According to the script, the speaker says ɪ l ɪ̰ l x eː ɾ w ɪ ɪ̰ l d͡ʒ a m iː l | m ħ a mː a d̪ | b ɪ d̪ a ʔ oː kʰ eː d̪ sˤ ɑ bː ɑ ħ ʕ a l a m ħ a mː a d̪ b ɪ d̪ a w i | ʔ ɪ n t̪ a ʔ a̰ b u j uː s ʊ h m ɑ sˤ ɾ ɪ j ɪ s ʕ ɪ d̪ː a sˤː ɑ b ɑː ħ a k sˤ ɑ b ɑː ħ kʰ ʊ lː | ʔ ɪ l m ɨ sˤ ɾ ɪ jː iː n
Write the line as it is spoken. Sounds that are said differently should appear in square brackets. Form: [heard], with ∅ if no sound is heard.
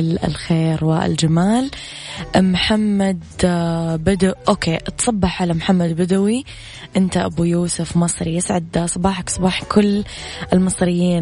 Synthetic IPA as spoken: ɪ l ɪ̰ l x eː ɾ w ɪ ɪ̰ l d͡ʒ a m [aː] l | m ħ a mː a d̪ | b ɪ d̪ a ʔ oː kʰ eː [t̪] sˤ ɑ bː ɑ ħ ʕ a l a m ħ a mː a d̪ b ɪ d̪ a w i | ʔ ɪ n t̪ a ʔ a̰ b u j uː s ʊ [f] m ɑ sˤ ɾ [i] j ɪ s ʕ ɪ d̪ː a [sˤ] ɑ b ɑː ħ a k sˤ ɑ b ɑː ħ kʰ ʊ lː | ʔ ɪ l m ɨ sˤ ɾ ɪ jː iː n